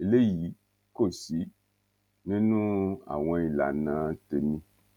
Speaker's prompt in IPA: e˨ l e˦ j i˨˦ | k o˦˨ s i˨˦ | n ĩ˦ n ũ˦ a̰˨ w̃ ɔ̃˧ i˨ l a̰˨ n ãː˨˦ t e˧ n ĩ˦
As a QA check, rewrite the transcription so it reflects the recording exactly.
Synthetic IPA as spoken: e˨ l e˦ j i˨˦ | k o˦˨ s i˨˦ | n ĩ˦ n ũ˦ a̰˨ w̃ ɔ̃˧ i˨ l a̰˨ n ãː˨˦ t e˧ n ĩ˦

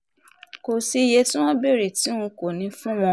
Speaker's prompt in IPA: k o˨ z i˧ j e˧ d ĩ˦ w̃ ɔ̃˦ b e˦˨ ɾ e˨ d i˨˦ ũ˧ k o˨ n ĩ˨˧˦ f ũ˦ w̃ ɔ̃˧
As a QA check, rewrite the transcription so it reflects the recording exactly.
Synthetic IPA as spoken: k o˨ s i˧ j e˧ t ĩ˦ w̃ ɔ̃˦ b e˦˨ ɾ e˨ t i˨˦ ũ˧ k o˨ n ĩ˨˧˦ f ũ˦ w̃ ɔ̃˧

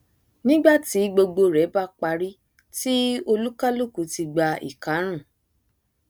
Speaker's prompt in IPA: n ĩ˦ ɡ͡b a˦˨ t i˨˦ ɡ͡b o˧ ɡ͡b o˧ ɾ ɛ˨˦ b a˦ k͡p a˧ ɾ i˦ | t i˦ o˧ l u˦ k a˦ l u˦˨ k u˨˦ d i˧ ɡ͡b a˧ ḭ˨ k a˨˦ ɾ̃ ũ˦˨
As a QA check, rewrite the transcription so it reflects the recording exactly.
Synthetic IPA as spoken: n ĩ˦ ɡ͡b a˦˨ t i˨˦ ɡ͡b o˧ ɡ͡b o˧ ɾ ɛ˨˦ b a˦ k͡p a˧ ɾ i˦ | t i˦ o˧ l u˦ k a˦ l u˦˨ k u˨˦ t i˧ ɡ͡b a˧ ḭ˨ k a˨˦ ɾ̃ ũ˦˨

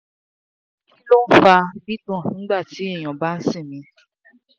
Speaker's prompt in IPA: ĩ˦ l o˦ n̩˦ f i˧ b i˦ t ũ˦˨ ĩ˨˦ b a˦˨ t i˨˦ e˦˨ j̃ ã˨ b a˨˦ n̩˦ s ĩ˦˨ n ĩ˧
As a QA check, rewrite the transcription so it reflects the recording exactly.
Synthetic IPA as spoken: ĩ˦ l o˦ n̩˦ f a˧ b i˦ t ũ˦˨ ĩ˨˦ ɡ͡b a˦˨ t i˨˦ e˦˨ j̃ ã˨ b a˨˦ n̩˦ s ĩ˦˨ m ĩ˧

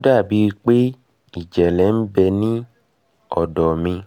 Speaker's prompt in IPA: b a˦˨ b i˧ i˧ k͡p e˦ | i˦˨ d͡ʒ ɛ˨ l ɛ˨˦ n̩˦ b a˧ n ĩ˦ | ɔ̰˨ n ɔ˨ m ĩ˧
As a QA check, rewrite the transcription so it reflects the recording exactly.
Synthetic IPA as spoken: d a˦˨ b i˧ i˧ k͡p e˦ | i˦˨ d͡ʒ ɛ˨ l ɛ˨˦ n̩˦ b ɛ˧ n ĩ˦ | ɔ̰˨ d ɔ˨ m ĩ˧

